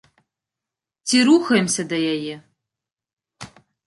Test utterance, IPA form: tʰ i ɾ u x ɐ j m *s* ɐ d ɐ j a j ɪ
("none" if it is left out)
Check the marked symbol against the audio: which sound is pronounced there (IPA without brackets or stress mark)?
s